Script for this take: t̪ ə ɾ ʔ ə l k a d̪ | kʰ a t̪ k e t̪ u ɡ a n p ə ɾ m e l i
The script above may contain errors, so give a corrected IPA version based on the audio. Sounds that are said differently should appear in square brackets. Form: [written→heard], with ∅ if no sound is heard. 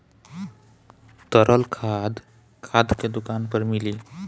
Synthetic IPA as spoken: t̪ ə ɾ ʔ ə l [k→kʰ] a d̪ | kʰ a [t̪→d̪] k e [t̪→d̪] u [ɡ→k] a n p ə ɾ m [e→i] l i

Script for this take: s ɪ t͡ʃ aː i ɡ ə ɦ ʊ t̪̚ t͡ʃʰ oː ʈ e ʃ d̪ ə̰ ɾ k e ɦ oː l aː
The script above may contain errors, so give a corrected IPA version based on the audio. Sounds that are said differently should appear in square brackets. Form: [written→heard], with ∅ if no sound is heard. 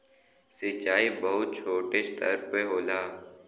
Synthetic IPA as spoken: s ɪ t͡ʃ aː i [ɡ→b] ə ɦ ʊ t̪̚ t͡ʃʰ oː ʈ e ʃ [d̪→t̪] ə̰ ɾ [k→p] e ɦ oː l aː

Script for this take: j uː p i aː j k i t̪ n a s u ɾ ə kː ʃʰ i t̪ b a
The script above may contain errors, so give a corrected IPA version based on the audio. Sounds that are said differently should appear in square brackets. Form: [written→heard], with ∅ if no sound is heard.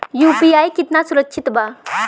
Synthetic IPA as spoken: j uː p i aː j k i t̪ n a s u ɾ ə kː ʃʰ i t̪ b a

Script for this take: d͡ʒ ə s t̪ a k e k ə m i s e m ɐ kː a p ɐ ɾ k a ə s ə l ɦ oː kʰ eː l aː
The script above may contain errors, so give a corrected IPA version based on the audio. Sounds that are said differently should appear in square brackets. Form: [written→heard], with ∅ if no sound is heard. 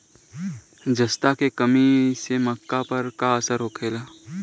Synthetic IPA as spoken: d͡ʒ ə s t̪ a k e k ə m i s e m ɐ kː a p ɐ ɾ k a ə s ə [l→ɾ] ɦ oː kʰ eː l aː

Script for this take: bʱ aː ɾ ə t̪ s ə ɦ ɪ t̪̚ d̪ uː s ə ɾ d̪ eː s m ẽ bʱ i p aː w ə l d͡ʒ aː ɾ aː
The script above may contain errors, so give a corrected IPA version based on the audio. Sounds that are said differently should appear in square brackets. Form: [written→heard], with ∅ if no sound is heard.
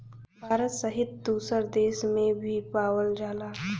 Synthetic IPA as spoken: bʱ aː ɾ ə t̪ s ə ɦ ɪ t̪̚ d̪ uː s ə ɾ d̪ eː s m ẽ bʱ i p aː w ə l d͡ʒ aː [ɾ→l] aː

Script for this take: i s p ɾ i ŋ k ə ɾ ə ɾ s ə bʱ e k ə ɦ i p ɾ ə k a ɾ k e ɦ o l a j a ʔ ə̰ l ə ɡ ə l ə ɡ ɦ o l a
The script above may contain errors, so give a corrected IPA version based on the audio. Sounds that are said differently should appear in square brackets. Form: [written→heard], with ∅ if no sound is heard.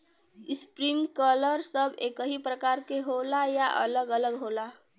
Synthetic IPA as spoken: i s p ɾ i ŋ k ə [ɾ→l] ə ɾ s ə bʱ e k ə ɦ i p ɾ ə k a ɾ k e ɦ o l a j a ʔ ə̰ l ə ɡ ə l ə ɡ ɦ o l a

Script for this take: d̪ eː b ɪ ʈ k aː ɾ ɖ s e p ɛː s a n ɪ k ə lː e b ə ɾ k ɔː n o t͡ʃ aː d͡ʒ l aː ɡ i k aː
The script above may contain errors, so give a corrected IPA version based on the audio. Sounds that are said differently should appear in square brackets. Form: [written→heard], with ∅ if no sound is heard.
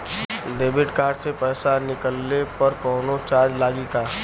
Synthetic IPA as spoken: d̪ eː b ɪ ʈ k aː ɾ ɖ s e p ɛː s a n ɪ k ə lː e [b→p] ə ɾ k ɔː n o t͡ʃ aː d͡ʒ l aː ɡ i k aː

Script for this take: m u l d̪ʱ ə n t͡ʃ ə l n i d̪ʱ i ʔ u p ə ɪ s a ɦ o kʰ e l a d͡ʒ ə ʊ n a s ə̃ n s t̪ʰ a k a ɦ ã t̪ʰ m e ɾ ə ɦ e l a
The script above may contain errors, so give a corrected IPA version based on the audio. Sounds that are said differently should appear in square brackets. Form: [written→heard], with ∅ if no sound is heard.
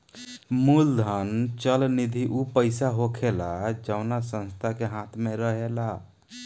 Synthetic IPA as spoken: m u l d̪ʱ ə n t͡ʃ ə l n i d̪ʱ i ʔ u p ə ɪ s a ɦ o kʰ e l a d͡ʒ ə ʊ n a s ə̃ n s t̪ʰ a k [a→e] ɦ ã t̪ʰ m e ɾ ə ɦ e l a

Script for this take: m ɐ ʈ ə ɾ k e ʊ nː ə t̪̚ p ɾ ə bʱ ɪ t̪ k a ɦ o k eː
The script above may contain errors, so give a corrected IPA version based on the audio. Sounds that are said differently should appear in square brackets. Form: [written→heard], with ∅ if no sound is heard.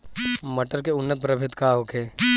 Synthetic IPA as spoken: m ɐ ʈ ə ɾ k e ʊ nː ə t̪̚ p ɾ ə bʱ ɪ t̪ k a ɦ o k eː

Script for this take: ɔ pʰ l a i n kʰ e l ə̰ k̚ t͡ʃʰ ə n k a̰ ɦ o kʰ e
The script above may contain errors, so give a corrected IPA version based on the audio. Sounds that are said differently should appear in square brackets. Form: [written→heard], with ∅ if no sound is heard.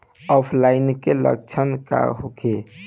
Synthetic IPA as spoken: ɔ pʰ l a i n [kʰ→k] e l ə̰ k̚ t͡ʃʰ ə n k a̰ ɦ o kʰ e

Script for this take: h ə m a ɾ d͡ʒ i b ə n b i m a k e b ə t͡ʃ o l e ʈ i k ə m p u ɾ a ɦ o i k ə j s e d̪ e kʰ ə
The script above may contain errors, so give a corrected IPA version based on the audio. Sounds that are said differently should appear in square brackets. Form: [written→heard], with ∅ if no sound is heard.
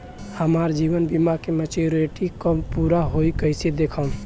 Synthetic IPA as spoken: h ə m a ɾ d͡ʒ i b ə n b i m a k e [b→m] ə t͡ʃ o [l→ɾ] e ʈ i k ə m p u ɾ a ɦ o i k ə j s e d̪ e kʰ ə

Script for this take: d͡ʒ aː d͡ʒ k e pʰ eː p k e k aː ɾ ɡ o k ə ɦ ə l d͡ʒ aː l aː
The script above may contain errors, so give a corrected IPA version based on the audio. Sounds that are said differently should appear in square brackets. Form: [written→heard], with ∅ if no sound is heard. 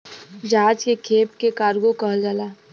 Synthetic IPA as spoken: d͡ʒ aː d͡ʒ k e [pʰ→kʰ] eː p k e k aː ɾ ɡ o k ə ɦ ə l d͡ʒ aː l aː

